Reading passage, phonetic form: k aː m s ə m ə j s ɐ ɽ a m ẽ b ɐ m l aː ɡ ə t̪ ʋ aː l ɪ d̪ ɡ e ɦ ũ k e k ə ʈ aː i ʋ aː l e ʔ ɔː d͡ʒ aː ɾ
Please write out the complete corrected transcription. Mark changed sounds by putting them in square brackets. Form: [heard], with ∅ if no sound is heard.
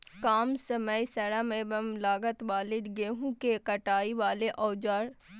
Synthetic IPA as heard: k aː m s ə m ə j s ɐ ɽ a m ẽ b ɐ m l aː ɡ ə t̪ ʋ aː l ɪ d̪ ɡ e ɦ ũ k e k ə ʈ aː i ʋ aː l e ʔ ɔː d͡ʒ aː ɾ